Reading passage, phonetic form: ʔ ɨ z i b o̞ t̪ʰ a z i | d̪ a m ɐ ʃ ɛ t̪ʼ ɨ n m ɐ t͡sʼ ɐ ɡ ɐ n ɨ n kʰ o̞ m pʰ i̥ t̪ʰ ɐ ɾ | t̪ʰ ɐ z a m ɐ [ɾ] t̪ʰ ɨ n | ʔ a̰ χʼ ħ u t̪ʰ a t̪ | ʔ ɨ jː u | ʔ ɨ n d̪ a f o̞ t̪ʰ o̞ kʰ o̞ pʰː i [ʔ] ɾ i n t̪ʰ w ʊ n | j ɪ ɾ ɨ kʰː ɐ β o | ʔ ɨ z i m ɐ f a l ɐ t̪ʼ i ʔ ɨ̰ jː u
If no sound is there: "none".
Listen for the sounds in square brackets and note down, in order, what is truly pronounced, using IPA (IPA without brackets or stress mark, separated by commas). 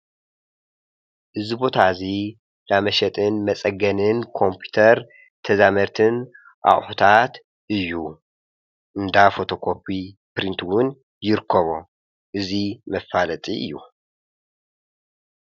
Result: ɾ, p